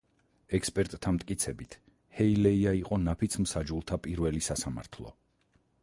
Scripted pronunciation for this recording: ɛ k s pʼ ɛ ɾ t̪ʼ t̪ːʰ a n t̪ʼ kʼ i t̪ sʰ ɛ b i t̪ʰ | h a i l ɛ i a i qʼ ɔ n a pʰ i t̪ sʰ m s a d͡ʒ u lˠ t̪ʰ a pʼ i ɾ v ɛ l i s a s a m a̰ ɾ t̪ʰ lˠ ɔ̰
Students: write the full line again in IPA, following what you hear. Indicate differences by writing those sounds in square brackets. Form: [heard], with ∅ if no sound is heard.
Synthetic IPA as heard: ɛ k s pʼ ɛ ɾ t̪ʼ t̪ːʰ a [m] t̪ʼ kʼ i t̪ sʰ ɛ b i t̪ʰ | h [ɛ] i l ɛ i a i qʼ ɔ n a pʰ i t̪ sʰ m s a d͡ʒ u lˠ t̪ʰ a pʼ i ɾ v ɛ l i s a s a m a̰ ɾ t̪ʰ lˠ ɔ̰